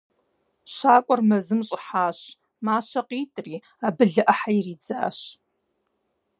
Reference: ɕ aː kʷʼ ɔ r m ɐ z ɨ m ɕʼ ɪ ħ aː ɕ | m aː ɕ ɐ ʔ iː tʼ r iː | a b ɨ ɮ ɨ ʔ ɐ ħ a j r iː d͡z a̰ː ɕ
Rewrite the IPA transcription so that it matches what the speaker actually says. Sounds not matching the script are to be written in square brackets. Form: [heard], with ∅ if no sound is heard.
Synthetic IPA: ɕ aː kʷʼ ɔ r m ɐ z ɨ m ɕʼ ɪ ħ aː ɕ | m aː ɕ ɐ [q] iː tʼ r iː | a b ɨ ɮ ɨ ʔ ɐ ħ a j r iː d͡z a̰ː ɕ